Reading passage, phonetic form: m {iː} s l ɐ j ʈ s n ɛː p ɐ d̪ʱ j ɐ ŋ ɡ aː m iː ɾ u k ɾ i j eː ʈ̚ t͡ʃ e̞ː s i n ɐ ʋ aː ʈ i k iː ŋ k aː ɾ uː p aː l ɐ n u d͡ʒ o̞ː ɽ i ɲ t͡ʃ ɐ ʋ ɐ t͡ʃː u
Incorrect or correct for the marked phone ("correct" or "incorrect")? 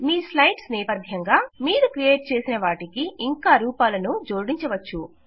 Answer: correct